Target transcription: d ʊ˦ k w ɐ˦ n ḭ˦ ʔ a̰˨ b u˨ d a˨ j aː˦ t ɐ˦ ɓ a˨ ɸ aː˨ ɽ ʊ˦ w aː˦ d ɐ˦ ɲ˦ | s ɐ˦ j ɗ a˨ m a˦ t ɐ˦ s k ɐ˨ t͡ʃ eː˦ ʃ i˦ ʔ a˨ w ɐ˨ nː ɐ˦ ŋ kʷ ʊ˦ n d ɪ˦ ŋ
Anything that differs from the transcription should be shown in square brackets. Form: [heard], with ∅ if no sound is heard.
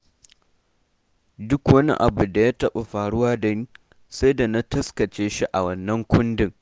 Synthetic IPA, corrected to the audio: d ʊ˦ k w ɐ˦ n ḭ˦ ʔ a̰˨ b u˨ d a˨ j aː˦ t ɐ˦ ɓ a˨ ɸ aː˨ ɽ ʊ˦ w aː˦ d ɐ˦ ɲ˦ | s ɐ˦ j [d] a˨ [n] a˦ t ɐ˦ s k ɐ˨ t͡ʃ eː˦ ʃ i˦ ʔ a˨ w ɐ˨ nː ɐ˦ ŋ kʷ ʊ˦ n d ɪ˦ ŋ

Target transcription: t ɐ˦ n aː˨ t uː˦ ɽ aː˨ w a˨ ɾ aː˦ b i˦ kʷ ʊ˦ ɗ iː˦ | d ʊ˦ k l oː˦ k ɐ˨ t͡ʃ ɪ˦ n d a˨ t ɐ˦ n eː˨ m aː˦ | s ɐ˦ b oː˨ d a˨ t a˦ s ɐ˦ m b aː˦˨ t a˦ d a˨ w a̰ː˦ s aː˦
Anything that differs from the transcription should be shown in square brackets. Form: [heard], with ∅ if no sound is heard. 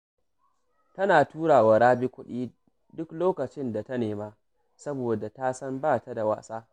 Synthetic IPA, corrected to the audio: t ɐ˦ n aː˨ t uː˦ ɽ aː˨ w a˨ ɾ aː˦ b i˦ kʷ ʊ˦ ɗ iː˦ | d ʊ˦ k l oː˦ k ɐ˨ t͡ʃ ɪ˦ n d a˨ t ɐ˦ n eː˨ m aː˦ | s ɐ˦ b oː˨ d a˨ t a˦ s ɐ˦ m b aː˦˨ t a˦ d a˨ w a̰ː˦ s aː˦

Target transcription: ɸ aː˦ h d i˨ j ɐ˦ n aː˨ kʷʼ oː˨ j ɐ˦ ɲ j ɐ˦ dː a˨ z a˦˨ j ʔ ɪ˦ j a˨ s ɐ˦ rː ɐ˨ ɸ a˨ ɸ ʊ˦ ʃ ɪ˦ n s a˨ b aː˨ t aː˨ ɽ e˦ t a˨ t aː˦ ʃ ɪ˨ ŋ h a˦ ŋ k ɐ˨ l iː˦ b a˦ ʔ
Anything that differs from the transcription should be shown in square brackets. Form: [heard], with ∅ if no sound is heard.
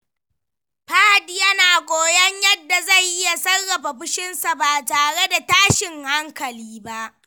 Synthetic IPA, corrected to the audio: ɸ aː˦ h d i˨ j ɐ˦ n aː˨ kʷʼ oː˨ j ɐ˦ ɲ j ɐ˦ dː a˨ z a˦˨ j ʔ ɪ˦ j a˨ s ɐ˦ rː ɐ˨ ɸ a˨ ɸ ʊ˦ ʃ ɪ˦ n s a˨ b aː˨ t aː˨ ɽ e˦ [d] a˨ t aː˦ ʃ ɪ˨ ŋ h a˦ ŋ k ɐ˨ l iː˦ b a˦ ʔ

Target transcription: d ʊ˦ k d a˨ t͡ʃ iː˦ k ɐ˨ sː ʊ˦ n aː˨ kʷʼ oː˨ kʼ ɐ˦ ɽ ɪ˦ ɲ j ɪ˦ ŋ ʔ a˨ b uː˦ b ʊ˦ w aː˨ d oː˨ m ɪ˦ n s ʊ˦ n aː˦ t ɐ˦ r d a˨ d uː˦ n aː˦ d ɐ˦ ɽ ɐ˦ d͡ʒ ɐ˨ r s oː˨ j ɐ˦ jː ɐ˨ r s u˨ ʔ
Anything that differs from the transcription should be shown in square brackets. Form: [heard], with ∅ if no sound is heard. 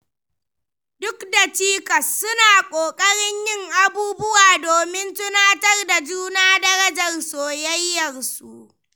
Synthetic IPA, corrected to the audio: d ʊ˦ k d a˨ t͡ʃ iː˦ k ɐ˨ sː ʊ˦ n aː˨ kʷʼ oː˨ kʼ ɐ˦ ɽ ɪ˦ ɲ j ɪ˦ ŋ ʔ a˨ b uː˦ b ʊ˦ w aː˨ d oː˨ m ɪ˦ n [t] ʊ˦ n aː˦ t ɐ˦ r d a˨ [d͡ʒ] uː˦ n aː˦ d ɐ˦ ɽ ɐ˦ d͡ʒ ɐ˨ r s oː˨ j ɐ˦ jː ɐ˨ r s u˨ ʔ

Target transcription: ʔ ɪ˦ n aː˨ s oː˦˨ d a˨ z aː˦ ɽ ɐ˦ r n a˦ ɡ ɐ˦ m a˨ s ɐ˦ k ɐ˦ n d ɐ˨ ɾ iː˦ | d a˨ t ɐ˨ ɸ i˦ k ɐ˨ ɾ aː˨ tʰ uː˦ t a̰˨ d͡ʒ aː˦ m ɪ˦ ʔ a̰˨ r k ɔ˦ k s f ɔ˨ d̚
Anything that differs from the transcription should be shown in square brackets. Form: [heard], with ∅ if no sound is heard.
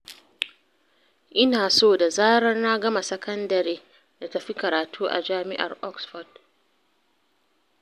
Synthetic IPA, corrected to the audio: ʔ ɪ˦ n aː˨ s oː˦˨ d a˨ z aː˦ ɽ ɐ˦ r n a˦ ɡ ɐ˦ m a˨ s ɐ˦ k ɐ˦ n d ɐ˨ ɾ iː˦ | d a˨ t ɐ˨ ɸ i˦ k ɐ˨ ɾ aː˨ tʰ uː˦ [ʔ] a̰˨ d͡ʒ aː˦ m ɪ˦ ʔ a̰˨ r [ʔ] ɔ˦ k s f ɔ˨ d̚

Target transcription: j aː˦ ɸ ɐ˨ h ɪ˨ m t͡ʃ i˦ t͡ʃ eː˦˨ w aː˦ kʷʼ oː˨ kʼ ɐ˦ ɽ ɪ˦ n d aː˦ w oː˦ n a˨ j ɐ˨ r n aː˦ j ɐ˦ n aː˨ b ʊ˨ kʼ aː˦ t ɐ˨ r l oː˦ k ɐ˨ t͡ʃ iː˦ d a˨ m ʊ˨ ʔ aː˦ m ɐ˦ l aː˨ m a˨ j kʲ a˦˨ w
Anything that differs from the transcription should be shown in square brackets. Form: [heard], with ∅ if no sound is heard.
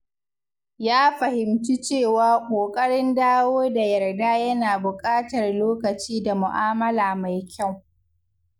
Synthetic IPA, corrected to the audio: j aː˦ ɸ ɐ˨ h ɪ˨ m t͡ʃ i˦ t͡ʃ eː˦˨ w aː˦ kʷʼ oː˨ kʼ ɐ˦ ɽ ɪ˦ n d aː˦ w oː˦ [d] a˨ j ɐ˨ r [d] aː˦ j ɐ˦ n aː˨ b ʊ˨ kʼ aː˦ t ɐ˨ r l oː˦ k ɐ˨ t͡ʃ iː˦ d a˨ m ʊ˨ ʔ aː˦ m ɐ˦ l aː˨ m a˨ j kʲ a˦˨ w

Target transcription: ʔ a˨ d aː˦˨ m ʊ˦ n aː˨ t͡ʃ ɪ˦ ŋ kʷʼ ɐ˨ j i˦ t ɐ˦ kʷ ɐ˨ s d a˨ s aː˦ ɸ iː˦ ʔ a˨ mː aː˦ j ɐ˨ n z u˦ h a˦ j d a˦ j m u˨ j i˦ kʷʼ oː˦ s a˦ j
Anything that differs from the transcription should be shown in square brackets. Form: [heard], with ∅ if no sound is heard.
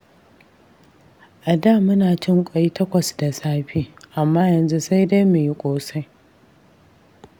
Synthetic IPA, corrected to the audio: ʔ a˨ d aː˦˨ m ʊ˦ n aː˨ t͡ʃ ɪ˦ ŋ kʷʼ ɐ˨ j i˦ t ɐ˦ kʷ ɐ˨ s d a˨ s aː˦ ɸ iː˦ ʔ a˨ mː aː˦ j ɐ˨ n z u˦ [s] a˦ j d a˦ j m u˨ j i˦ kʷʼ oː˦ s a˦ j

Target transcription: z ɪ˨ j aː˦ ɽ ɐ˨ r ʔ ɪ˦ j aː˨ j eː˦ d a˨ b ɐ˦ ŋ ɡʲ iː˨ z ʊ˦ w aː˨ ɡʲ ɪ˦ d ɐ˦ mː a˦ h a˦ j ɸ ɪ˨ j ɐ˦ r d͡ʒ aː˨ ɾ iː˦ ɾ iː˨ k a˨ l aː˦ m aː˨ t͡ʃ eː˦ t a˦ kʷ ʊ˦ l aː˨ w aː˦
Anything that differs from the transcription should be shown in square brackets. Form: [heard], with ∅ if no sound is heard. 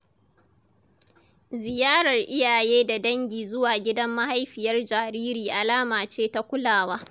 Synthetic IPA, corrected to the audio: z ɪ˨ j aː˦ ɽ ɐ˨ r ʔ ɪ˦ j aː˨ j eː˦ d a˨ [d] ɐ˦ ŋ ɡʲ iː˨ z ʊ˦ w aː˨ ɡʲ ɪ˦ d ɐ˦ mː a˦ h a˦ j ɸ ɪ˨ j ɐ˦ r d͡ʒ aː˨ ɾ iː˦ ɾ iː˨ [ʔ] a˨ l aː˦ m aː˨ t͡ʃ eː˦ t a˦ kʷ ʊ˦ l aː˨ w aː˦

